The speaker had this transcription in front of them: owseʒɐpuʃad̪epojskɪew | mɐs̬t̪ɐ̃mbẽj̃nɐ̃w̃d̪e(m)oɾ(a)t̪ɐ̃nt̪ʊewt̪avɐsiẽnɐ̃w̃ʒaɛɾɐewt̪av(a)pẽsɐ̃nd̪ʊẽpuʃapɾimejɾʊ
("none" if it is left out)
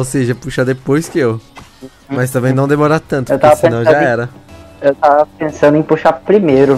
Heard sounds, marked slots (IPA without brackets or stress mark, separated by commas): m, a, ɐ